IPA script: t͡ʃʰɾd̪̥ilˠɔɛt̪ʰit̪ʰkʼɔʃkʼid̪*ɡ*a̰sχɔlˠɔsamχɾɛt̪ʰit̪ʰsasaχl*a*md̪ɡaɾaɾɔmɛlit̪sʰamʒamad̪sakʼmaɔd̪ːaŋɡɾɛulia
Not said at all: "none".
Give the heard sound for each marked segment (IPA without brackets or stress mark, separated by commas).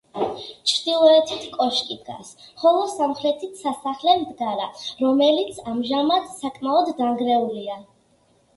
ɡ, ɛ